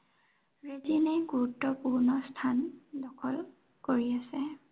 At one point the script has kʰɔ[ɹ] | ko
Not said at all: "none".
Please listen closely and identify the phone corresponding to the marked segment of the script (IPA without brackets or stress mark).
l